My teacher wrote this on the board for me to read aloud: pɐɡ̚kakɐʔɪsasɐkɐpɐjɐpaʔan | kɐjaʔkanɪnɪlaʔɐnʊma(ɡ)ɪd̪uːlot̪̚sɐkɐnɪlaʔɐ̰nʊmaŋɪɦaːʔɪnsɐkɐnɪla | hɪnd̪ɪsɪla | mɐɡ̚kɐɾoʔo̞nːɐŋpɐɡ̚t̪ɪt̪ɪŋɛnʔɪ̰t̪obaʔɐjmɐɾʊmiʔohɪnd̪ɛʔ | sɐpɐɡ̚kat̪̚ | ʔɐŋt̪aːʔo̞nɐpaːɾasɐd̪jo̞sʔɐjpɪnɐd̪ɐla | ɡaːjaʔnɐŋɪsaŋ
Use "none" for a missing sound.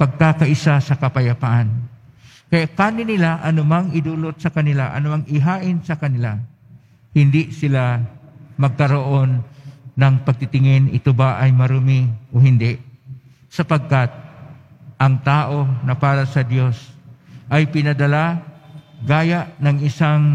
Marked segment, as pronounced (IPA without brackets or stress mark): ŋ